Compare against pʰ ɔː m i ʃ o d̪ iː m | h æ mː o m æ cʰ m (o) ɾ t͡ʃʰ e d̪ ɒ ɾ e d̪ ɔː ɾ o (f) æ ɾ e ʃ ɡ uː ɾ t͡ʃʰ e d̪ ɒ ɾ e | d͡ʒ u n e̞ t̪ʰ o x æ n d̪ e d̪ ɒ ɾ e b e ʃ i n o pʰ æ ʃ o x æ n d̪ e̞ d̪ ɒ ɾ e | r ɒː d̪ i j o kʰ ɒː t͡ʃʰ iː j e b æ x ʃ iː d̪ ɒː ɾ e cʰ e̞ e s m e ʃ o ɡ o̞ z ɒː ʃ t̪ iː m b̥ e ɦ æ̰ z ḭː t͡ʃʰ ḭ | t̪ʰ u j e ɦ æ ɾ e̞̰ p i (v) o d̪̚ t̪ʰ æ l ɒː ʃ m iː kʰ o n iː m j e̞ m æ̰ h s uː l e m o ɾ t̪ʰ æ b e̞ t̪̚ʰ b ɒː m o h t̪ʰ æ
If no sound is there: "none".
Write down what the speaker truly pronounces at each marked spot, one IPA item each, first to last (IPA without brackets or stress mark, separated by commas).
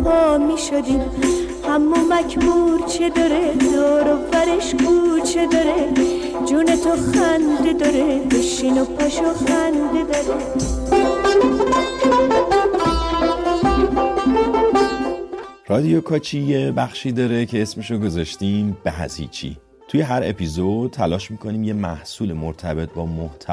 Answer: u, v, z